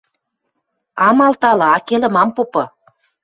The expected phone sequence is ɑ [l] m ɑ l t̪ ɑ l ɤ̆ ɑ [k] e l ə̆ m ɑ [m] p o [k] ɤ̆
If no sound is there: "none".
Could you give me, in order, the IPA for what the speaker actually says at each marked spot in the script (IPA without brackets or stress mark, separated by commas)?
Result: none, k, m, p